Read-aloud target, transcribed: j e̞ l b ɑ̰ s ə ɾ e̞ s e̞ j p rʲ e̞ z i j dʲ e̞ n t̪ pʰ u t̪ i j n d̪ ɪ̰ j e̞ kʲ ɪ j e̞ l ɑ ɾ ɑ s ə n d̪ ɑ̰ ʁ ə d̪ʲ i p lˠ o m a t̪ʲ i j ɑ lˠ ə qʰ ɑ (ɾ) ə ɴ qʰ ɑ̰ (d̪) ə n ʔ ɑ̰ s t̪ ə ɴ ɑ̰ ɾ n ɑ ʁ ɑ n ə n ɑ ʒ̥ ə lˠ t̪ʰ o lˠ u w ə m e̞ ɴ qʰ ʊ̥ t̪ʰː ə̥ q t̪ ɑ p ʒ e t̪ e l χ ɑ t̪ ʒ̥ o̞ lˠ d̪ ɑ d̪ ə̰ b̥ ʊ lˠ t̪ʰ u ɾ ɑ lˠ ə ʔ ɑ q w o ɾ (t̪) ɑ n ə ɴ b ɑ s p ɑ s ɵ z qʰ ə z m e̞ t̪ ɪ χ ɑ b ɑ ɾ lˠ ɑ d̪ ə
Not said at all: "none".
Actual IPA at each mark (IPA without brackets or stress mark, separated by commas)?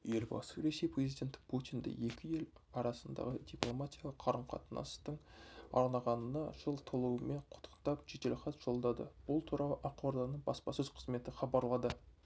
ɾ, t̪, d̪